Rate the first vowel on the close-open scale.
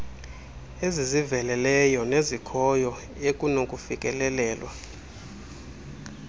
mid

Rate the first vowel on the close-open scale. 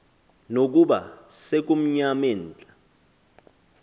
mid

